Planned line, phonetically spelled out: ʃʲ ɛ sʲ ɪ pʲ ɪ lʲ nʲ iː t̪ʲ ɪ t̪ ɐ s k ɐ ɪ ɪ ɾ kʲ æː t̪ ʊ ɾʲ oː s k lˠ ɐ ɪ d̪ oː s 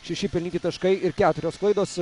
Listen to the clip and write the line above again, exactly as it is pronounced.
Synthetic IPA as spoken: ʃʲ ɛ ʃʲ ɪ pʲ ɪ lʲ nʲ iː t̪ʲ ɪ t̪ ɐ ʃ k ɐ ɪ ɪ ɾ kʲ æː t̪ ʊ ɾʲ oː s k lˠ ɐ ɪ d̪ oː s